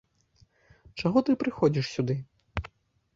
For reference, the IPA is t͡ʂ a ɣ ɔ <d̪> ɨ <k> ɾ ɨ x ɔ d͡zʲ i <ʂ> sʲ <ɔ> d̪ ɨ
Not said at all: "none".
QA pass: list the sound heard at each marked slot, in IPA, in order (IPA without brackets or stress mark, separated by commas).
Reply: t̪, p, ʂ, u